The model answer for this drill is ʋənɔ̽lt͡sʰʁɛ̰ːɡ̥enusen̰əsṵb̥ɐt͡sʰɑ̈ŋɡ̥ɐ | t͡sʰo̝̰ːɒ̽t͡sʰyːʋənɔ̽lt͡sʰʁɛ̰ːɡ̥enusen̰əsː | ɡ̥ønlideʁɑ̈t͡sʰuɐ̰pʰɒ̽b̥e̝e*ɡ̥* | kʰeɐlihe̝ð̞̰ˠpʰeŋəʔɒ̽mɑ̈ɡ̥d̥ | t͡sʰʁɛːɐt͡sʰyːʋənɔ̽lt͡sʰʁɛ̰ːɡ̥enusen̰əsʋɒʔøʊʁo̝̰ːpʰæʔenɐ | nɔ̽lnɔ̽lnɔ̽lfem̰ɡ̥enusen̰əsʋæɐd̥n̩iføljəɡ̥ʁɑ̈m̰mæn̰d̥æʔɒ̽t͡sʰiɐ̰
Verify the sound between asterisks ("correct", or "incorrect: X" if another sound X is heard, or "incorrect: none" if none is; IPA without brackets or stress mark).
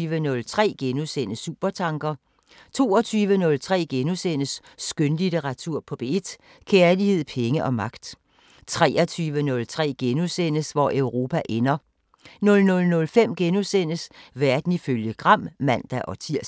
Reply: incorrect: d̥